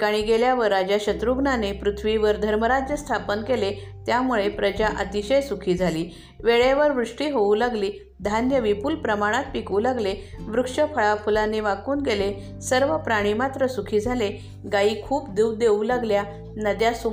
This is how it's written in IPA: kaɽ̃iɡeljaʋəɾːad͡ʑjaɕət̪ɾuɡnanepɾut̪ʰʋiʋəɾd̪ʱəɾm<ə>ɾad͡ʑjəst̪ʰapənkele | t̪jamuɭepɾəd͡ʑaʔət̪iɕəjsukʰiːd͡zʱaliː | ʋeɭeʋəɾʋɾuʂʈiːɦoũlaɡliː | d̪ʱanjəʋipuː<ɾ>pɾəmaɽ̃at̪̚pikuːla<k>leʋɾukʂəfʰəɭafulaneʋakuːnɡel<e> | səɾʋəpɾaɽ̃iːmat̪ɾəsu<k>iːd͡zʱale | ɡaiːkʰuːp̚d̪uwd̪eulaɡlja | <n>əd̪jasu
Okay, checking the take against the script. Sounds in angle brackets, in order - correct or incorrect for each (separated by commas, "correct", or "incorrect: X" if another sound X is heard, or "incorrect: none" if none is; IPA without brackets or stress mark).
correct, incorrect: l, incorrect: ɡ, correct, incorrect: kʰ, correct